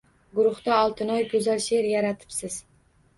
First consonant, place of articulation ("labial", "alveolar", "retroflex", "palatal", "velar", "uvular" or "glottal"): velar